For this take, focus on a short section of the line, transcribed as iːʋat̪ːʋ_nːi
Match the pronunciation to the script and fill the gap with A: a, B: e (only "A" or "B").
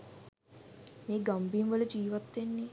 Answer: B